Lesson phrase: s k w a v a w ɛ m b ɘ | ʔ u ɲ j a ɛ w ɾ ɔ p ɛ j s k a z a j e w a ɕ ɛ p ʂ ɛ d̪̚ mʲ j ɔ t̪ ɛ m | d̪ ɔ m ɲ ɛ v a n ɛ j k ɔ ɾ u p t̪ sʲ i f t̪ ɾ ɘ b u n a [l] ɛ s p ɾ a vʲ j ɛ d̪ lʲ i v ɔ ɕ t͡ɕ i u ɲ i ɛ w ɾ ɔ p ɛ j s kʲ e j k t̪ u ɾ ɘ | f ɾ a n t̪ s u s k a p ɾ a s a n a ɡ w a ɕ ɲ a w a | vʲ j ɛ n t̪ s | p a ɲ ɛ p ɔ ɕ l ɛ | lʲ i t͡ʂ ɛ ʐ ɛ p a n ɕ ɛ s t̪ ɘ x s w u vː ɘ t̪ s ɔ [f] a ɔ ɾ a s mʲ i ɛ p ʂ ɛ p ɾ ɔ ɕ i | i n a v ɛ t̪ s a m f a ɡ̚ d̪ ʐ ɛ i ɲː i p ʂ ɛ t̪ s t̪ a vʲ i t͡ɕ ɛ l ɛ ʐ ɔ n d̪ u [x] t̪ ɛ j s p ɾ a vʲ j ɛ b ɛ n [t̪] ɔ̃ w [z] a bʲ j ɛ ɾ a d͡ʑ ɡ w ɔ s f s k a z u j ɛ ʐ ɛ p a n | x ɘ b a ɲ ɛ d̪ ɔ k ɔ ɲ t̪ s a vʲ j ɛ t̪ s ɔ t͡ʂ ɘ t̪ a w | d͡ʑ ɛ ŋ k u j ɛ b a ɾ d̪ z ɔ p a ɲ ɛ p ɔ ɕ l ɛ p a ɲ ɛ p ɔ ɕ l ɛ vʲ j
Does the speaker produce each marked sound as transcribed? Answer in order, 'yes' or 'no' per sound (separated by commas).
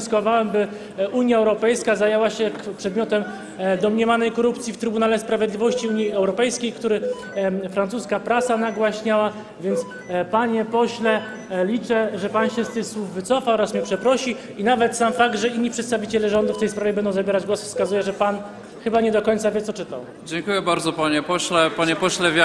yes, yes, no, no, yes